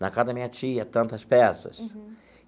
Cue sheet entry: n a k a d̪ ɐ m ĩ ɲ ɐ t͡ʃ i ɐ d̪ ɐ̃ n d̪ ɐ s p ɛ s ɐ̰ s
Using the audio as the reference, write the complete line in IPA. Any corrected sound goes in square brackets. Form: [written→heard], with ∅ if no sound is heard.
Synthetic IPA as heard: n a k a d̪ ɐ m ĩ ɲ ɐ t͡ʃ i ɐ [d̪→t̪] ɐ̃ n [d̪→t̪] ɐ s p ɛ s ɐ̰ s